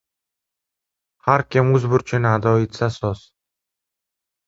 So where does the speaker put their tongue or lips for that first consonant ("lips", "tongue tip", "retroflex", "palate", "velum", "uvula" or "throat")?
throat